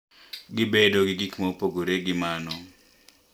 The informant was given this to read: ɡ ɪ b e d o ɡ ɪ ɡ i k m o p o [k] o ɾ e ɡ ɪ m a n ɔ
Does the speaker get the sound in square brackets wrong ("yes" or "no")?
yes